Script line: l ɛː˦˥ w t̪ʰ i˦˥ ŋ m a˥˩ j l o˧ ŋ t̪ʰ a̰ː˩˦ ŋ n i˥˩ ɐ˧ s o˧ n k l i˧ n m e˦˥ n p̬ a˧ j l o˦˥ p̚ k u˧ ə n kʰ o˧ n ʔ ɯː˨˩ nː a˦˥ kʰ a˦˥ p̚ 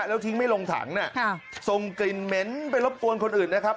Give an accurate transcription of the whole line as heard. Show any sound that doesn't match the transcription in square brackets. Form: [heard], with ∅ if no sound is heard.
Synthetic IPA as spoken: l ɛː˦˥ w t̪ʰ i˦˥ ŋ m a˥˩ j l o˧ ŋ t̪ʰ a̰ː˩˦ ŋ n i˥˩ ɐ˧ s o˧ [ŋ] k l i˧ n m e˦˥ n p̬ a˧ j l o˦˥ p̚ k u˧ ə n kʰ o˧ n ʔ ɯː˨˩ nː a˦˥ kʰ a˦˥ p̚